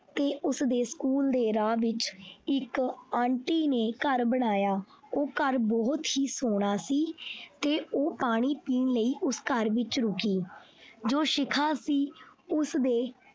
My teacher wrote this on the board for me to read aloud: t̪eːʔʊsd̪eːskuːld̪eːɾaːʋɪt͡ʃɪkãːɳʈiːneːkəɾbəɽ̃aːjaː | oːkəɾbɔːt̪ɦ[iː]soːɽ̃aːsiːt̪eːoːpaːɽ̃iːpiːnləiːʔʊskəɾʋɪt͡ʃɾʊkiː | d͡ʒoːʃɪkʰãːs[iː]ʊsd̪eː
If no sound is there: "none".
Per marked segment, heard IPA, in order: iː, iː

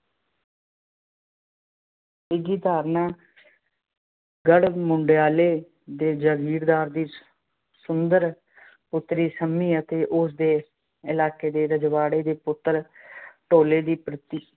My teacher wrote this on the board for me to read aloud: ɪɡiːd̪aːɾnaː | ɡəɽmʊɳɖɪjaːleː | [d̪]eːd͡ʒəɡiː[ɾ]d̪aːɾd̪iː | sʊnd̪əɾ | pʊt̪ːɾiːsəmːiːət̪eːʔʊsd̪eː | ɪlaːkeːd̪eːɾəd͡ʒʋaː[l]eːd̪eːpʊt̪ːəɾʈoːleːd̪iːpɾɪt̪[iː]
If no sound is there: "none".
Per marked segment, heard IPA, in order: d̪, ɾ, ɽ, iː

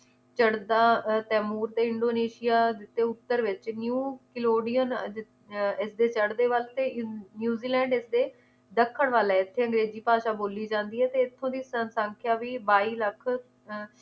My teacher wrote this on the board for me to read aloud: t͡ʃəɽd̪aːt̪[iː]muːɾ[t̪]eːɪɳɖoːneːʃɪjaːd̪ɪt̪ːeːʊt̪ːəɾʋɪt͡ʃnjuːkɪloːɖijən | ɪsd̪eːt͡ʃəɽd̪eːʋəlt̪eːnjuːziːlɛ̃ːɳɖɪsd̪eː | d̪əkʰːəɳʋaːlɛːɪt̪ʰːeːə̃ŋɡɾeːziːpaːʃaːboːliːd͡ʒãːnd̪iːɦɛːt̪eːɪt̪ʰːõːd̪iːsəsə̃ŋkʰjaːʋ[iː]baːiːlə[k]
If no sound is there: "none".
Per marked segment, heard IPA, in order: ɛː, t̪, iː, kʰ

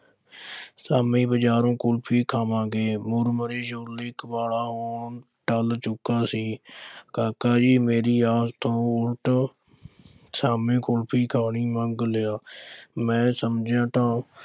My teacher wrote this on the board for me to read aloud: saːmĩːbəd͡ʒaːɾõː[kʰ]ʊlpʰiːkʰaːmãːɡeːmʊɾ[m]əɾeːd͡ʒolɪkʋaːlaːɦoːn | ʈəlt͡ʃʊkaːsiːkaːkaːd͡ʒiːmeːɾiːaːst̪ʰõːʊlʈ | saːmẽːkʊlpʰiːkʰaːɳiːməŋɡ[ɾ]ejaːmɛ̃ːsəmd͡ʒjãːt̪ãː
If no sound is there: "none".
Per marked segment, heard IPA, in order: k, m, l

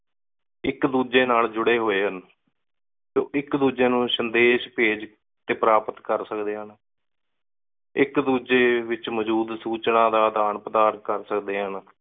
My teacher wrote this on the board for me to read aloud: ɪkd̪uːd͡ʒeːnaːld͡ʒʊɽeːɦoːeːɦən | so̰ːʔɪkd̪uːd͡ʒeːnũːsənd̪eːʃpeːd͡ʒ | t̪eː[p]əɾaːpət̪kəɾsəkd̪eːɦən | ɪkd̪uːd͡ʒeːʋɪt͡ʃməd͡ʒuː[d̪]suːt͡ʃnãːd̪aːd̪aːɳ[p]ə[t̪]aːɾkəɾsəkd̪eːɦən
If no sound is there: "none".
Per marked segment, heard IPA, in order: p, d̪, p, d̪

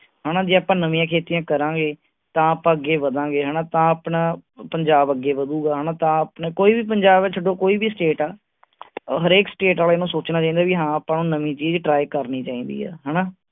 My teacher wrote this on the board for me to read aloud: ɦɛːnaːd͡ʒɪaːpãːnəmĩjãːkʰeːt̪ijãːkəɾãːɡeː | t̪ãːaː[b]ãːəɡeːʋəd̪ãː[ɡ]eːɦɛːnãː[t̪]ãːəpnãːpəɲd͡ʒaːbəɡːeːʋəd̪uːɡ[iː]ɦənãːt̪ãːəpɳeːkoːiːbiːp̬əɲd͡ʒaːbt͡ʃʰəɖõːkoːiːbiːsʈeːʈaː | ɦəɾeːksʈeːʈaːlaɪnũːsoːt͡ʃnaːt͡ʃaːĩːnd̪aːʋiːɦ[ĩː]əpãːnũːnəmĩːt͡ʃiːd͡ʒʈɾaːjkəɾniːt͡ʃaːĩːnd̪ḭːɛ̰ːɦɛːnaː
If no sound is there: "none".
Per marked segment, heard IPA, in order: p, ɡ, t̪, aː, ãː

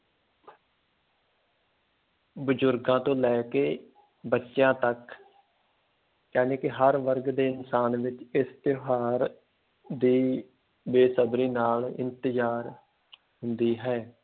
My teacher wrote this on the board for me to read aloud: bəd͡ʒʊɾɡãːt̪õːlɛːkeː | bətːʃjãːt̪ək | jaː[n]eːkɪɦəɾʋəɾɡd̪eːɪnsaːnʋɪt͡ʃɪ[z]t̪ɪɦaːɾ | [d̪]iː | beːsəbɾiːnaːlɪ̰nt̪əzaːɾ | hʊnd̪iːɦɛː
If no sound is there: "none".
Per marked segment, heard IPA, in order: n, s, d̪

